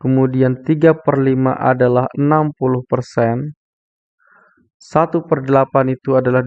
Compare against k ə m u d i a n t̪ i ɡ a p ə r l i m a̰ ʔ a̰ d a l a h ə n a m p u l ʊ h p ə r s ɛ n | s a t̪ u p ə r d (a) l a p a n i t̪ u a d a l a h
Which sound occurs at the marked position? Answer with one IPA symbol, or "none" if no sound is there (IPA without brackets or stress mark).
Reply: ə